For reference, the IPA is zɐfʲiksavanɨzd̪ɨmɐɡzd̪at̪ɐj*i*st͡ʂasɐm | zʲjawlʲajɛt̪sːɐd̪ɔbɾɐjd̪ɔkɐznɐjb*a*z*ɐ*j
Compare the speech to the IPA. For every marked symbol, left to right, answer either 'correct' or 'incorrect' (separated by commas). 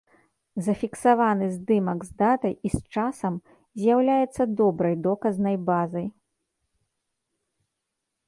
correct, correct, correct